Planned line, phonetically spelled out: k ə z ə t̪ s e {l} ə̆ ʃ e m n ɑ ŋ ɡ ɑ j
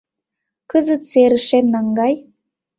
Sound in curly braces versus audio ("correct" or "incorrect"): incorrect